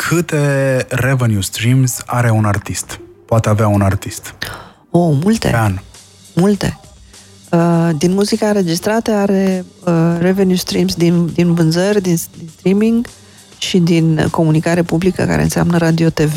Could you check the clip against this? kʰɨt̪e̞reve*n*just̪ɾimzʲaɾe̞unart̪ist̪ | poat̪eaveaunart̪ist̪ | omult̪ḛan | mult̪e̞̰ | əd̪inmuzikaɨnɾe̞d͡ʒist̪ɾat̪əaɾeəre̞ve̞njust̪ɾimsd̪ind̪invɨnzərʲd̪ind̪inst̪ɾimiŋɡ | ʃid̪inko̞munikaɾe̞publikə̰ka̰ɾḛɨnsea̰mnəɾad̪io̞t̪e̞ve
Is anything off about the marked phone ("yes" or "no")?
no